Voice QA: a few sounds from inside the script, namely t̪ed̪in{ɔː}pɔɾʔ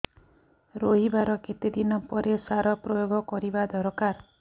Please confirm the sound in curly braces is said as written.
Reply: no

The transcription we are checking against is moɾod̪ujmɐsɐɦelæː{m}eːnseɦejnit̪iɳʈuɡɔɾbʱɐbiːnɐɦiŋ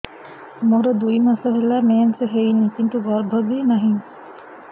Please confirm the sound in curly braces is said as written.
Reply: yes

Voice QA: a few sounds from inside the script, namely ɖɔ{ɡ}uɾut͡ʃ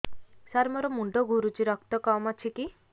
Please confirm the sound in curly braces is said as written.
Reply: yes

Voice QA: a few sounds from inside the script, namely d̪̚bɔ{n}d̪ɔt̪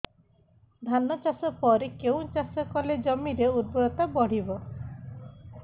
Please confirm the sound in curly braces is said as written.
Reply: no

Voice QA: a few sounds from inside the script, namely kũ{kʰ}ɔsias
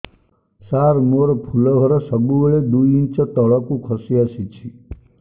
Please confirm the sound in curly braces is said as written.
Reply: yes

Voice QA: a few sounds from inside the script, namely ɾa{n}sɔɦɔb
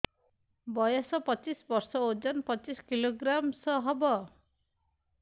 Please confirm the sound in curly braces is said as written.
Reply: no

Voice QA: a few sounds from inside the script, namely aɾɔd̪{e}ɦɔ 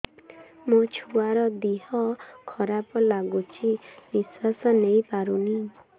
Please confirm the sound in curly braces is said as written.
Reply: no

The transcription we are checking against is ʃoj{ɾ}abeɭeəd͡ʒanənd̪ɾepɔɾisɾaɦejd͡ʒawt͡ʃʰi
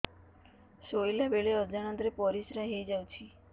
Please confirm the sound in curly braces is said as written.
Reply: no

